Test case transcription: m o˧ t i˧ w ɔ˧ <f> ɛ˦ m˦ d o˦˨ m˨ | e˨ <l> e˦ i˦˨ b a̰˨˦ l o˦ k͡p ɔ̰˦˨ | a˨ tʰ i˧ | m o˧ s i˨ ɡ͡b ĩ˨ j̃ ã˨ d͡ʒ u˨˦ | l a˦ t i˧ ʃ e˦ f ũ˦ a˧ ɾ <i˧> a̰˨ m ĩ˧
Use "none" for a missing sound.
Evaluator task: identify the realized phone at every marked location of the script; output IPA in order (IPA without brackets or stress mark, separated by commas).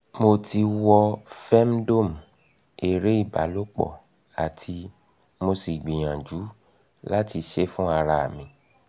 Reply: f, ɾ, a˧